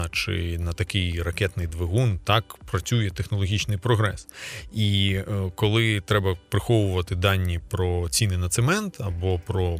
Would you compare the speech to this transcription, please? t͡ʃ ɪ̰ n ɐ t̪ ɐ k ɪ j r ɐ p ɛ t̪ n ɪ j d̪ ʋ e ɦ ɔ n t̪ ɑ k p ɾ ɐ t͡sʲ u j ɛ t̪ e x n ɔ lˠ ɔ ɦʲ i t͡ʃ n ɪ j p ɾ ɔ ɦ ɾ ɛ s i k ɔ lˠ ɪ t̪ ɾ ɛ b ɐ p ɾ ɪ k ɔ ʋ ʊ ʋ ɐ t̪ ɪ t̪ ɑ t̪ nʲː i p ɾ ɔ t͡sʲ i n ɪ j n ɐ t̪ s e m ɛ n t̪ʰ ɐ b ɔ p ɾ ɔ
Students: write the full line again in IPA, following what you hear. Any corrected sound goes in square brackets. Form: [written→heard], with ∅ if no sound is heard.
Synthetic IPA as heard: t͡ʃ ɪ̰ n ɐ t̪ ɐ k ɪ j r ɐ [p→k] ɛ t̪ n ɪ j d̪ ʋ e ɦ [ɔ→u] n t̪ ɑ k p ɾ ɐ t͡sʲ u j ɛ t̪ e x n ɔ lˠ ɔ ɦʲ i t͡ʃ n ɪ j p ɾ ɔ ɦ ɾ ɛ s i k ɔ lˠ ɪ t̪ ɾ ɛ b ɐ p ɾ ɪ [k→x] ɔ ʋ ʊ ʋ ɐ t̪ ɪ [t̪→d̪] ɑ [t̪→∅] nʲː i p ɾ ɔ t͡sʲ i n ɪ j n ɐ t̪ s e m ɛ n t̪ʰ ɐ b ɔ p ɾ ɔ